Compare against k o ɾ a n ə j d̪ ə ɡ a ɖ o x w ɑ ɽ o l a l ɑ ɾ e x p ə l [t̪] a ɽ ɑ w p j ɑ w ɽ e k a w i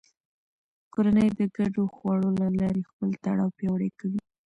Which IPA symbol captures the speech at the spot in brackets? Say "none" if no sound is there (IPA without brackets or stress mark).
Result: t̪